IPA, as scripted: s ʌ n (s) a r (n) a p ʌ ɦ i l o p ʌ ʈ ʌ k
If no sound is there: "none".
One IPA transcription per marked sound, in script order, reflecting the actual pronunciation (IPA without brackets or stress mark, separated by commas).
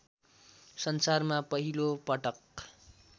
s, m